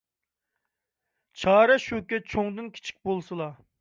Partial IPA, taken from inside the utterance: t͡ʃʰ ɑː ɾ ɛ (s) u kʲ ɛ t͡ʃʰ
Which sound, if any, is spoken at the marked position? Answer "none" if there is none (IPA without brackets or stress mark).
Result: ʃ